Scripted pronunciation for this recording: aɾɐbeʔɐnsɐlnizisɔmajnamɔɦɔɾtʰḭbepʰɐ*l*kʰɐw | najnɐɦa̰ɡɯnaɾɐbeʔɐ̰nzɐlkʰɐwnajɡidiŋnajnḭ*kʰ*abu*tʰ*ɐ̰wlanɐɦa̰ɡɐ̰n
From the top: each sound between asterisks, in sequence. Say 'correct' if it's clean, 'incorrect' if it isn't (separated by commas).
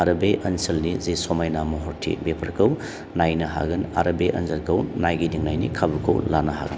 incorrect, correct, incorrect